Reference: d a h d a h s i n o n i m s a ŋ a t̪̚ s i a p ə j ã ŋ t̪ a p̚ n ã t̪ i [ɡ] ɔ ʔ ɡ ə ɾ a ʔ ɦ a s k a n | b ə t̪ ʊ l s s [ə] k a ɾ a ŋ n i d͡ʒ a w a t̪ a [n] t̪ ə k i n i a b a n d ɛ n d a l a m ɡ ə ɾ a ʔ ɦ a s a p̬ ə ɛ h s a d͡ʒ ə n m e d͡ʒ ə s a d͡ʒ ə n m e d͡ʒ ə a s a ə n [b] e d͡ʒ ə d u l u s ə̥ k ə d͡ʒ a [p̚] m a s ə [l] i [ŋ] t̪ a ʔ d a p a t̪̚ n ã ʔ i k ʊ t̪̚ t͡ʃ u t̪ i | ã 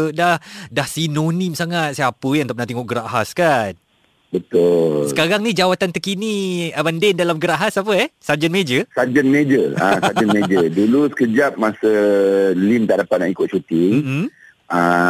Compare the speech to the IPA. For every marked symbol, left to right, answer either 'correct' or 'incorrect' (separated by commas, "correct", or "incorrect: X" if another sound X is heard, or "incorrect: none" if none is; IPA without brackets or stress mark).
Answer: incorrect: ŋ, correct, correct, incorrect: m, correct, correct, incorrect: m